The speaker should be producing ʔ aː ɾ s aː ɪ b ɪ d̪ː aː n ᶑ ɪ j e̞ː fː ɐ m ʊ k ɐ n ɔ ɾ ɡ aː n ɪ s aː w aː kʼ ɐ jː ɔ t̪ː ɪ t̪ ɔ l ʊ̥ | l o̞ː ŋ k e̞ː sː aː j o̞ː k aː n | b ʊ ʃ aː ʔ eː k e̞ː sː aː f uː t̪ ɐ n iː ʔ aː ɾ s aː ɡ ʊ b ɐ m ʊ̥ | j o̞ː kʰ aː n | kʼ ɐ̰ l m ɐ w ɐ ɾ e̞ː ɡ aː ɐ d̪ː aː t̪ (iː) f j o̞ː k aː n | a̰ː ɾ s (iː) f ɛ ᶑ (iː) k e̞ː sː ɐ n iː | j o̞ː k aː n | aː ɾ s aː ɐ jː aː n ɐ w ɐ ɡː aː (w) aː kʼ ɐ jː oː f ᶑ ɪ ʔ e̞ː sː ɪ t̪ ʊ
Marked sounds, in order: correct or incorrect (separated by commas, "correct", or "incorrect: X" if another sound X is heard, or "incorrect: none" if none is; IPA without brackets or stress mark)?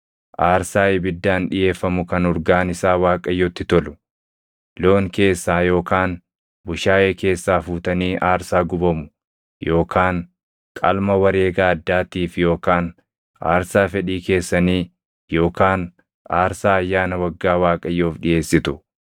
correct, incorrect: aː, correct, correct